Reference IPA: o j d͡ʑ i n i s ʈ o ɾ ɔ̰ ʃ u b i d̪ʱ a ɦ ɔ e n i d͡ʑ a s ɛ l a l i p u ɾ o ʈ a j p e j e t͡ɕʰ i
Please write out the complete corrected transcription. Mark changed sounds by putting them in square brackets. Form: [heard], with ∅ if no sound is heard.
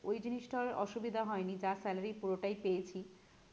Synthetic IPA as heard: o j d͡ʑ i n i [ʃ] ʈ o ɾ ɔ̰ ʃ u b i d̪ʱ a ɦ ɔ e n i d͡ʑ a s ɛ l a [ɾ] i p u ɾ o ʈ a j p e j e t͡ɕʰ i

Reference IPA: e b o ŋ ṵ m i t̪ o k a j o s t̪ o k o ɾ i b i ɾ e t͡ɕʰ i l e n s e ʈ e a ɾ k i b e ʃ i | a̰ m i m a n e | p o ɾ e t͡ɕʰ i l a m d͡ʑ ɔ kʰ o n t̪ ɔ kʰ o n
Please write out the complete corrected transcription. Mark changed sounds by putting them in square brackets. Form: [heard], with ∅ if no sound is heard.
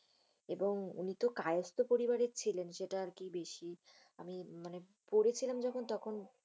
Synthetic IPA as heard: e b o ŋ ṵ [n] i t̪ o k a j o s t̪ o [p] o ɾ i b [a] ɾ e t͡ɕʰ i l e n [ʃ] e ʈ [a] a ɾ k i b e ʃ i | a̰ m i m a n e | p o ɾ e t͡ɕʰ i l a m d͡ʑ ɔ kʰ o n t̪ ɔ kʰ o n

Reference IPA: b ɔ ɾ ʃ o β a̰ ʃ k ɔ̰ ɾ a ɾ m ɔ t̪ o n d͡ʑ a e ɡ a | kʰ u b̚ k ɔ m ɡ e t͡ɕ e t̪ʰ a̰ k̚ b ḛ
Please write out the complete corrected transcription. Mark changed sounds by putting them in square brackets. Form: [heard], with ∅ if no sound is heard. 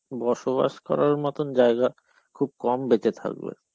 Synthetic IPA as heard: b ɔ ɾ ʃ o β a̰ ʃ k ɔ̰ ɾ a ɾ m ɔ t̪ o n d͡ʑ a e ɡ a | kʰ u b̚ k ɔ m [b] e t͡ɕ e t̪ʰ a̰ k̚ b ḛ

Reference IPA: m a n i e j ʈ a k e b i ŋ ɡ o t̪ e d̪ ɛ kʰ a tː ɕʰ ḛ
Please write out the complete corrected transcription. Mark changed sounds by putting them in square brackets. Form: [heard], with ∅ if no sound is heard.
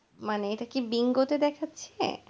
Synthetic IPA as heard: m a n [e] e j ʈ a k [i] b i ŋ ɡ o t̪ e d̪ ɛ kʰ a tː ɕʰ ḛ

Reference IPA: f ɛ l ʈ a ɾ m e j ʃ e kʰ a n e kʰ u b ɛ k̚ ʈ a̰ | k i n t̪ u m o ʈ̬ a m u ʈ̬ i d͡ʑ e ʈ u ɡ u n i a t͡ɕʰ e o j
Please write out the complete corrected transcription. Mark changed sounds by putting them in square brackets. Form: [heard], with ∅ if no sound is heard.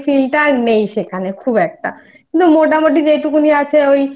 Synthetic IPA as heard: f [i] l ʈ a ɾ [n] e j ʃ e kʰ a n e kʰ u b ɛ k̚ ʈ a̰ | k i n t̪ u m o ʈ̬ a m [o] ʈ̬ i d͡ʑ e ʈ u [k] u n i a t͡ɕʰ e o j

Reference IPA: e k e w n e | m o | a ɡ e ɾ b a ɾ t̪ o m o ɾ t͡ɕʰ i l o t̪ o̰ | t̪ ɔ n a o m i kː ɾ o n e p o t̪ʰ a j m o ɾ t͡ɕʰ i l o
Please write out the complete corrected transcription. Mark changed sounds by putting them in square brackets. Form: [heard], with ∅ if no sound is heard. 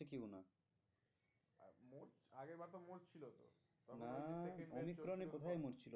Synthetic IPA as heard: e k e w n [a] | m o | a ɡ e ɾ b a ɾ t̪ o m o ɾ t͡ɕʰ i l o t̪ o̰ | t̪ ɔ n a o m i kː ɾ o n e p o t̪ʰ a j m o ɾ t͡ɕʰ i l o

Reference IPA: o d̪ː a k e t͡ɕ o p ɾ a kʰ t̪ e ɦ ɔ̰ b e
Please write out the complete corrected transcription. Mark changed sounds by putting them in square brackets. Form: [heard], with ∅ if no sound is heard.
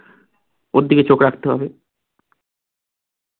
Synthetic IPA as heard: o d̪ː [i] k e t͡ɕ o [k] ɾ a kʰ t̪ e ɦ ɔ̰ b e

